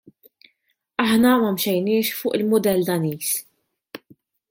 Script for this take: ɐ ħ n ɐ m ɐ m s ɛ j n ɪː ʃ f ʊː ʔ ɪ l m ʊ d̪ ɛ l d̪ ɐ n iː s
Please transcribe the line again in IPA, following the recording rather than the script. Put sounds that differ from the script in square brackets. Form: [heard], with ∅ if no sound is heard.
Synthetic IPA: ɐ ħ n ɐ m ɐ m [ʃ] ɛ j n ɪː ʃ f ʊː ʔ ɪ l m ʊ d̪ ɛ l d̪ ɐ n iː s